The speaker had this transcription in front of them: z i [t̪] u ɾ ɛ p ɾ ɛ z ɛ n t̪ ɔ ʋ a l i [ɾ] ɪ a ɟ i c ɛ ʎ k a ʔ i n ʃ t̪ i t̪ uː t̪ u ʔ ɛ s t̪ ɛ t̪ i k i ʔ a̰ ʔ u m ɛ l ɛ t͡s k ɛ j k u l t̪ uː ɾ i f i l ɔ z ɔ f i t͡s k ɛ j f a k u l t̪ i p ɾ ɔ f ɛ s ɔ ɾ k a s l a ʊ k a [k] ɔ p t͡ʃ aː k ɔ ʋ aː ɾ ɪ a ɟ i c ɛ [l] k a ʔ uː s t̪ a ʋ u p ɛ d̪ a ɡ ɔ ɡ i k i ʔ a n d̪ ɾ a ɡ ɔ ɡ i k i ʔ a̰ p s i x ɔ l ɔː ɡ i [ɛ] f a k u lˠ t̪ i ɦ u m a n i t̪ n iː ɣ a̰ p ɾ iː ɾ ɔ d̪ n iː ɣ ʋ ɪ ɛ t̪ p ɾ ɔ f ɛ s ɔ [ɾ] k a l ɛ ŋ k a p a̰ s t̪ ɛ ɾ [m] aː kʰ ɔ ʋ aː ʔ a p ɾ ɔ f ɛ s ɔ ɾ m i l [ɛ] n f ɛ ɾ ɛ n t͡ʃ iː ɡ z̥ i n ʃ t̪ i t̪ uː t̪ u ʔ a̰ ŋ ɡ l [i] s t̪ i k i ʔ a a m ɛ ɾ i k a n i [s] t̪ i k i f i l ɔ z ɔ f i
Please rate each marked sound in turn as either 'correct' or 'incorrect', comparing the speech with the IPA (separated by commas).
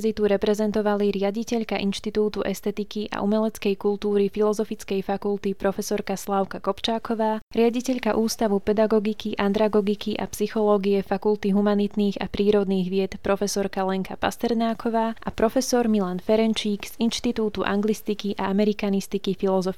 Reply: correct, correct, correct, incorrect, correct, correct, incorrect, incorrect, correct, correct